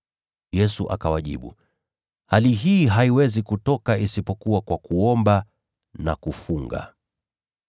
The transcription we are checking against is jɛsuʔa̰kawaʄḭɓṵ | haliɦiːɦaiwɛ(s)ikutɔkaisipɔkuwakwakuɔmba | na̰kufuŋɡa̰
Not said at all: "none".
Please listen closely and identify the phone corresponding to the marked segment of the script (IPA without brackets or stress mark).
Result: z